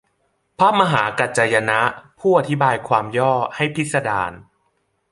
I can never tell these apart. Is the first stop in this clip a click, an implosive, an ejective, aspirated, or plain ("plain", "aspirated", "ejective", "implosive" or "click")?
aspirated